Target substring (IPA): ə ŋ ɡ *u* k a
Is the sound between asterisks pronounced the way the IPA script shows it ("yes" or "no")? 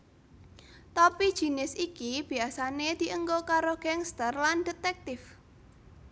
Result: no